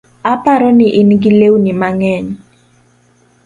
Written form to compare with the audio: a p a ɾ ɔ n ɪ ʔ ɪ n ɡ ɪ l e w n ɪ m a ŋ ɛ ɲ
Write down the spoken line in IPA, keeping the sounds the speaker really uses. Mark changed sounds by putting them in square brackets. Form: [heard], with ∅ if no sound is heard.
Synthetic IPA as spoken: a p a ɾ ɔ n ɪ ʔ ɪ n ɡ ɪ l e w n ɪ m a ŋ ɛ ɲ